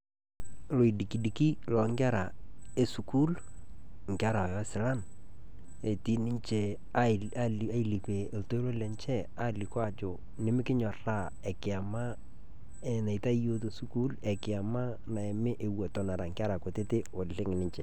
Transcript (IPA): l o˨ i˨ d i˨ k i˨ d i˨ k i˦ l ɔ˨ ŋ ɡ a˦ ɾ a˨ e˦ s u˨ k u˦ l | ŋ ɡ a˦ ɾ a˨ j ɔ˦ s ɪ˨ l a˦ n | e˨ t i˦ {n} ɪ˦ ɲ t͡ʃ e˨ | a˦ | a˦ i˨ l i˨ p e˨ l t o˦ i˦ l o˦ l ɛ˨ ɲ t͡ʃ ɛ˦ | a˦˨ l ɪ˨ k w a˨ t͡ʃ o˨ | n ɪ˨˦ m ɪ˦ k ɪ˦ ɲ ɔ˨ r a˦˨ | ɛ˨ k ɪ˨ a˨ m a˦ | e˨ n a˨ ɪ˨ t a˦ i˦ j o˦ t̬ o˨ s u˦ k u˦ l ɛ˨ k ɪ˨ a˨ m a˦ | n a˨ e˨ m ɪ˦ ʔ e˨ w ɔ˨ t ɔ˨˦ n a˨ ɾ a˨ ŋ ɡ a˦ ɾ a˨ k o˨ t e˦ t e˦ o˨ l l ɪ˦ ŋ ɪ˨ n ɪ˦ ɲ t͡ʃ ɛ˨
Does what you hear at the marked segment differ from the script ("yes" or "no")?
no